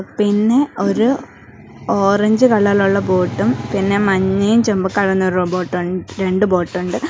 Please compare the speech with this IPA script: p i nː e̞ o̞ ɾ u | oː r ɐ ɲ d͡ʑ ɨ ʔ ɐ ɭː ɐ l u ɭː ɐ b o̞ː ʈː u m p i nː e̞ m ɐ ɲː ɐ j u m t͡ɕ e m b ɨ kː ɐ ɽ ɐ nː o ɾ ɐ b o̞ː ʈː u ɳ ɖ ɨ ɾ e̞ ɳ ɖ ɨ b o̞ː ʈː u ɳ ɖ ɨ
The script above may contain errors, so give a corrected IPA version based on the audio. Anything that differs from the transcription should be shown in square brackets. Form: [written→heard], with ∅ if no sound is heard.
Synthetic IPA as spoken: p i nː e̞ o̞ ɾ u | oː r ɐ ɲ d͡ʑ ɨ [ʔ→k] ɐ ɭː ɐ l u ɭː ɐ b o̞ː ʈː u m p i nː e̞ m ɐ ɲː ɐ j u m t͡ɕ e m b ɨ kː ɐ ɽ ɐ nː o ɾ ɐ b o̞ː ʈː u ɳ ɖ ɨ ɾ e̞ ɳ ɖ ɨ b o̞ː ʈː u ɳ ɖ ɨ